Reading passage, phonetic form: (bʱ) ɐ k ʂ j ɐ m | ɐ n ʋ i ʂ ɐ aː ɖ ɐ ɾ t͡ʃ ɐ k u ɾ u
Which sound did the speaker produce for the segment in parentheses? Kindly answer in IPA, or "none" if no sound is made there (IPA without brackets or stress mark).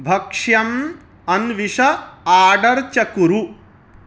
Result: bʱ